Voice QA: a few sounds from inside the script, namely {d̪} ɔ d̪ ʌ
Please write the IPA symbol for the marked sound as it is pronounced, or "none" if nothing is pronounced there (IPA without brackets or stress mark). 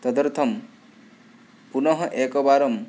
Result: t̪